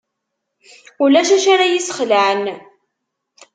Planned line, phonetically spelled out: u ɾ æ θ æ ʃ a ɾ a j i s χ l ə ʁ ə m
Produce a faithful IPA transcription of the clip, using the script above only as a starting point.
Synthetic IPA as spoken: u l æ ʃ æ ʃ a ɾ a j i s χ l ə ʕ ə n

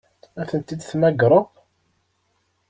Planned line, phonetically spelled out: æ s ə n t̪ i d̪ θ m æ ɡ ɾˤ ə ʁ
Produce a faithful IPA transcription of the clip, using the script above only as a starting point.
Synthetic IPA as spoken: æ θ ə n t̪ i d̪ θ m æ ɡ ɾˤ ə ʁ

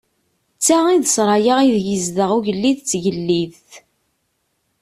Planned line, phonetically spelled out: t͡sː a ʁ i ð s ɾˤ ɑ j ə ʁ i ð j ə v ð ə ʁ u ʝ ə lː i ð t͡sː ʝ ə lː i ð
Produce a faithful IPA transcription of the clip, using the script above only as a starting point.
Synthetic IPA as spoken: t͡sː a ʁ i ð s ɾˤ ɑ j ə ʁ i ð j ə z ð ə ʁ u ʝ ə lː i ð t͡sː ʝ ə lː i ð

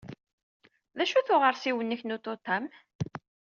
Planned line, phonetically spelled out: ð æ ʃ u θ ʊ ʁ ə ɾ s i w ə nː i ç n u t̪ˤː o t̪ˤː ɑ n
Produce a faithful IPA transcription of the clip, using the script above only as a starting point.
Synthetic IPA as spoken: ð æ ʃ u θ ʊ ʁ ə ɾ s i w ə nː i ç n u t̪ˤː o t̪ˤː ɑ m

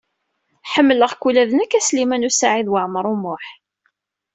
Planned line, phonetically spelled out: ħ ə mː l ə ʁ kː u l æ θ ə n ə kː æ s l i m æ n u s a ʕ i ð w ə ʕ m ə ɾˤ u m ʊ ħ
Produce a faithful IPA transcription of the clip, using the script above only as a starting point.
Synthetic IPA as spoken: ħ ə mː l ə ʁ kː u l æ ð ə n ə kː æ s l i m æ n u s a ʕ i ð w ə ʕ m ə ɾˤ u m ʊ ħ

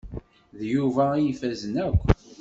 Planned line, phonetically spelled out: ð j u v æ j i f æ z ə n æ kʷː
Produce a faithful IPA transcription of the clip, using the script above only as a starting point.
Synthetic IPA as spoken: ð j u v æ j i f æ z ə n æ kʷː

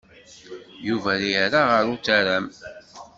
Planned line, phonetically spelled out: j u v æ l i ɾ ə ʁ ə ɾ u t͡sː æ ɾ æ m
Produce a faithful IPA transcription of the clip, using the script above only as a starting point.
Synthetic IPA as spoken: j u v æ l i ɾ a ʁ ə ɾ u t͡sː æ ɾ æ m

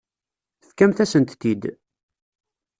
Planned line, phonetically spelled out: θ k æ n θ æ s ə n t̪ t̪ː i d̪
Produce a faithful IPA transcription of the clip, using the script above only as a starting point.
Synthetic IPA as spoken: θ k æ m θ æ s ə n t̪ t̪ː i d̪

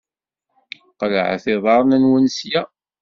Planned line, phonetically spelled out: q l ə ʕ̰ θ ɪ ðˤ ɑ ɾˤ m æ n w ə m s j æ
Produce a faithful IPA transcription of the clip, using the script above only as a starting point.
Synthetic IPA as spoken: q l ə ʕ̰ θ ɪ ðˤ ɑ ɾˤ n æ n w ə n s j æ

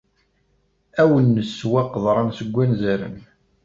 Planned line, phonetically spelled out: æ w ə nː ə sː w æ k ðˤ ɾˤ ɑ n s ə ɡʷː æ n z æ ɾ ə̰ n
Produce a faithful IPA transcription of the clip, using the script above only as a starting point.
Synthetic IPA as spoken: æ w ə nː ə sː w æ q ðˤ ɾˤ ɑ n s ə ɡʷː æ n z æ ɾ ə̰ n

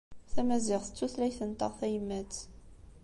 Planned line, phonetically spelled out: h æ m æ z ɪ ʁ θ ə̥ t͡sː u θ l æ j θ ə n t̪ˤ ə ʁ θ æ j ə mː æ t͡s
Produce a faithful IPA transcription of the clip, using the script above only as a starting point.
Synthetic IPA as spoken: θ æ m æ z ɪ ʁ θ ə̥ t͡sː u θ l æ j θ ə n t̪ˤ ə ʁ θ æ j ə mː æ t͡s

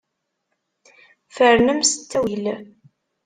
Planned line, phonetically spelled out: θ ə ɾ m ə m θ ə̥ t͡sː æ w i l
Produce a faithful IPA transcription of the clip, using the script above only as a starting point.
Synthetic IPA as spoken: f ə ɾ n ə m s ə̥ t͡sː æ w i l

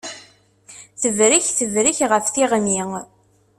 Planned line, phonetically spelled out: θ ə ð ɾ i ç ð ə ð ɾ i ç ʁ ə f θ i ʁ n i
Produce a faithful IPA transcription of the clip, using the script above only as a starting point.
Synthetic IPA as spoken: θ ə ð ɾ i ç θ ə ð ɾ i ç ʁ ə f θ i ʁ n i

